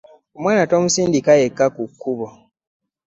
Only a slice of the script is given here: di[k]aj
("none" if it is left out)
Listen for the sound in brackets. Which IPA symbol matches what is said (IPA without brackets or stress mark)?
k